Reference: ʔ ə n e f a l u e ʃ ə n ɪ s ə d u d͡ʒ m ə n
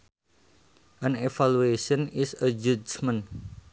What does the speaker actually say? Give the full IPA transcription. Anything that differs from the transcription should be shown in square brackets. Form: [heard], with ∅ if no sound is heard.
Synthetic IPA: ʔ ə n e f a l u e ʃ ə n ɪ s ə [d͡ʒ] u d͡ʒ m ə n

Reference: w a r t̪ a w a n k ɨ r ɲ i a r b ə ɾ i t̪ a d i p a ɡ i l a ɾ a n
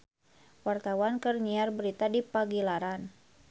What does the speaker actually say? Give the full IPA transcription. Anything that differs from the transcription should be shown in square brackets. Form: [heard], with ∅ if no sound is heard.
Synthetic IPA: w a r t̪ a w a n k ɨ r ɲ i a r b ə ɾ i t̪ a d i p a ɡ i l a ɾ a n

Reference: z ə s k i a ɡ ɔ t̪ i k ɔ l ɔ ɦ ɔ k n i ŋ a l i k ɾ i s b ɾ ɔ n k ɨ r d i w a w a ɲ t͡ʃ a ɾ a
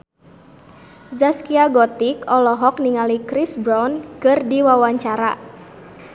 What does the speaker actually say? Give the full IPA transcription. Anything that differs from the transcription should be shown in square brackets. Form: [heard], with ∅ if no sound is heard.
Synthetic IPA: z [a] s k i a ɡ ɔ t̪ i k ɔ l ɔ ɦ ɔ k n i ŋ a l i k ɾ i s b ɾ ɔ n k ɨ r d i w a w a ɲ t͡ʃ a ɾ a

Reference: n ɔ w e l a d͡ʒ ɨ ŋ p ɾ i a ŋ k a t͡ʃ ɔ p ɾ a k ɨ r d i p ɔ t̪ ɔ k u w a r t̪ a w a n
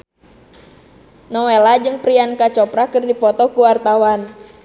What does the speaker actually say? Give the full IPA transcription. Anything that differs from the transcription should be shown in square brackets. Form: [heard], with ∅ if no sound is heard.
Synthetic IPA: n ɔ w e l a d͡ʒ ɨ ŋ p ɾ i a [n] k a t͡ʃ ɔ p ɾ a k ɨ r d i p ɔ t̪ ɔ k u w a r t̪ a w a n

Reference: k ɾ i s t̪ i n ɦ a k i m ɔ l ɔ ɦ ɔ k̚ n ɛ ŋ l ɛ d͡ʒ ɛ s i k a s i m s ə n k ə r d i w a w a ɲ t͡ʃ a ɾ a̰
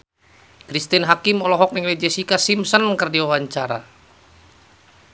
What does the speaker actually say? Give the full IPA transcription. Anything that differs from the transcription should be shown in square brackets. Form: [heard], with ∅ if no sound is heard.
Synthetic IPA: k ɾ i s t̪ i n ɦ a k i m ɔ l ɔ ɦ ɔ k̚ n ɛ ŋ l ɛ d͡ʒ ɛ s i k a s i m s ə n k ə r d i w a w a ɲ t͡ʃ a ɾ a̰

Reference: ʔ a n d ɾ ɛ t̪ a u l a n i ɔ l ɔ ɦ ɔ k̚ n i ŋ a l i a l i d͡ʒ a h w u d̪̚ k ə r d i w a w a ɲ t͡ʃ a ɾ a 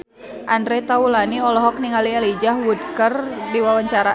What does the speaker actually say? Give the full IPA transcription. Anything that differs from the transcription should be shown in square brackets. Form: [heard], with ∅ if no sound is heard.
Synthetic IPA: ʔ a n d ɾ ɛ t̪ a u l a n i ɔ l ɔ ɦ ɔ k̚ n i ŋ a l i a l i d͡ʒ a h w u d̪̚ k ə r d i w a w a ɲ t͡ʃ a ɾ a

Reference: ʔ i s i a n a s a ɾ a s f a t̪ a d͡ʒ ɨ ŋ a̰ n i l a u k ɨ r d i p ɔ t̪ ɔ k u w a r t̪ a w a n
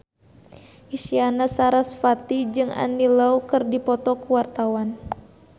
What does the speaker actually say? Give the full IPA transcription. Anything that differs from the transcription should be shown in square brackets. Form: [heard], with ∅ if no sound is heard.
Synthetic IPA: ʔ i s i a n a s a ɾ a s f a t̪ [i] d͡ʒ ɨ ŋ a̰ n i l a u k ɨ r d i p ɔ t̪ ɔ k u w a r t̪ a w a n

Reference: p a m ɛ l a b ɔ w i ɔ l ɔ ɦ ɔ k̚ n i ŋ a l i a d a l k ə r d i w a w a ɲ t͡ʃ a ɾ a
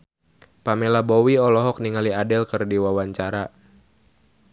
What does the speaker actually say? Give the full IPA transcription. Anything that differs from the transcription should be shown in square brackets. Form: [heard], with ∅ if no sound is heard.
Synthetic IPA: p a m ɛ l a b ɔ w i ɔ l ɔ ɦ ɔ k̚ n i ŋ a l i a d [ɛ] l k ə r d i w a w a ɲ t͡ʃ a ɾ a

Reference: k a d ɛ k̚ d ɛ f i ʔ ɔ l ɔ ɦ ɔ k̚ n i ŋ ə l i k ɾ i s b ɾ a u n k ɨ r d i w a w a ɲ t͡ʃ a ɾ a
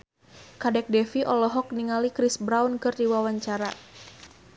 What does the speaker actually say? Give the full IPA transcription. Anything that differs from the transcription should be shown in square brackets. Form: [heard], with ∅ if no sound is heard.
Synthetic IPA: k a d ɛ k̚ d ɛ f i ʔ ɔ l ɔ ɦ ɔ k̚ n i ŋ [a] l i k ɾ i s b ɾ a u n k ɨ r d i w a w a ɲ t͡ʃ a ɾ a

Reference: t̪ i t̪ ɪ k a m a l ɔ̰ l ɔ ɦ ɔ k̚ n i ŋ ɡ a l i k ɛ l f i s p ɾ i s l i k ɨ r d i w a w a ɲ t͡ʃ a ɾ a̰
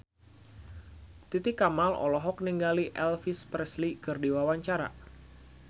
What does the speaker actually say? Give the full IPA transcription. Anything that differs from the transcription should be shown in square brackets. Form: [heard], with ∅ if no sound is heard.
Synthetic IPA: t̪ i t̪ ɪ k a m a l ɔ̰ l ɔ ɦ ɔ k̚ n i ŋ ɡ a l i [ʔ] ɛ l f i s p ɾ [ɛ] s l i k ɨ r d i w a w a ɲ t͡ʃ a ɾ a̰

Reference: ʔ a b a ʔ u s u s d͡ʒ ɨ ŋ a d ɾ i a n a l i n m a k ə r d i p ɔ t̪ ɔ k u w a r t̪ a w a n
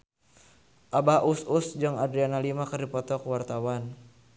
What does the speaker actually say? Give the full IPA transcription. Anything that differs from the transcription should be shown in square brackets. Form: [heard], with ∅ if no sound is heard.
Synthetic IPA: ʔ a b a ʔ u s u s d͡ʒ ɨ ŋ a d ɾ i a n a l i [∅] m a k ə r d i p ɔ t̪ ɔ k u w a r t̪ a w a n

